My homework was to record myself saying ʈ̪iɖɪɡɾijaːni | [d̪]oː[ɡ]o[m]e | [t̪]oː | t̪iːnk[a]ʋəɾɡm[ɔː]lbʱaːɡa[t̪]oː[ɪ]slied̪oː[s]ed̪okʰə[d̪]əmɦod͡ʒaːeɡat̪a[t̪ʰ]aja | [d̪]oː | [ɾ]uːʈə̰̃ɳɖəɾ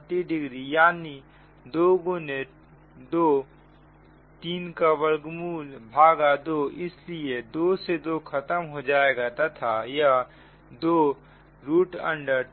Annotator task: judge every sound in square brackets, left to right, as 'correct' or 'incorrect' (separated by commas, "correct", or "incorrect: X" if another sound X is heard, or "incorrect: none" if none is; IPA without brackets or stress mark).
correct, correct, incorrect: n, incorrect: d̪, correct, incorrect: uː, incorrect: d̪, correct, correct, incorrect: t̪, correct, correct, correct